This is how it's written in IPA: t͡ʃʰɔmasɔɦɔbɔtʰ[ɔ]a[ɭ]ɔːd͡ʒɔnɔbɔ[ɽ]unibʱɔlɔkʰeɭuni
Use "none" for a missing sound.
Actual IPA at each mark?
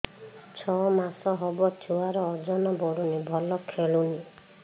u, ɾ, ɽ

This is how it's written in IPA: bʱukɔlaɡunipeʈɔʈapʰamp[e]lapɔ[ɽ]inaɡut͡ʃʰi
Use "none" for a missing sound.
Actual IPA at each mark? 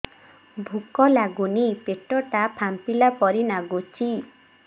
i, ɾ

